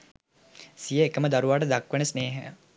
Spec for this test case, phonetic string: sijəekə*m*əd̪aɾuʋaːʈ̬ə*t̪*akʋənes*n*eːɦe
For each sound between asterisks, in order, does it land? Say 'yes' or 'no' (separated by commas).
yes, no, yes